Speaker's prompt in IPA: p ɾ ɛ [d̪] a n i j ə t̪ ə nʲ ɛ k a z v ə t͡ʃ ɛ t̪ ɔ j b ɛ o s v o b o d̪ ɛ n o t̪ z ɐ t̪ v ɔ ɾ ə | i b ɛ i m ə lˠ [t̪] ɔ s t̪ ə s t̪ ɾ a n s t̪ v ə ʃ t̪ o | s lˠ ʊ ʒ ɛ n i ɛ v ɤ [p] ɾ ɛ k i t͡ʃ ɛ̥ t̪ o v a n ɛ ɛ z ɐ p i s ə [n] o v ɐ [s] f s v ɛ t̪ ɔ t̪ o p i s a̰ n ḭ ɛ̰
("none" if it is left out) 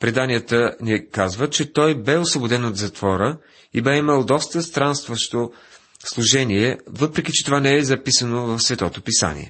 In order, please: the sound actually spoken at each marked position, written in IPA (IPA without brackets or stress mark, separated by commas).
d̪, d̪, p, n, none